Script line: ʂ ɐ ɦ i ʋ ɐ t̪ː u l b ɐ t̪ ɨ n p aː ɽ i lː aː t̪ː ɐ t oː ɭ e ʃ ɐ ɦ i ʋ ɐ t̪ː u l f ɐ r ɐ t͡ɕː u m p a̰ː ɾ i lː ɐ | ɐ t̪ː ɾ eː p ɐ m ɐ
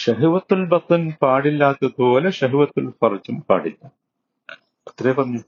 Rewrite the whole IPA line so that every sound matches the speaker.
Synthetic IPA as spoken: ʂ ɐ ɦ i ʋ ɐ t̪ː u l b ɐ t̪ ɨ n p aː ɽ i lː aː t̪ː ɐ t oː l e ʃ ɐ ɦ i ʋ ɐ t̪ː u l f ɐ r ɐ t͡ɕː u m p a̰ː ɽ i lː ɐ | ɐ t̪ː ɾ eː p ɐ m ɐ